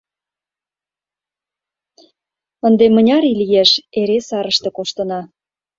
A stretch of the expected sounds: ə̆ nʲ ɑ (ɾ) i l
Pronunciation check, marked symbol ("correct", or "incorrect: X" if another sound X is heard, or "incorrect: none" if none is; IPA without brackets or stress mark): correct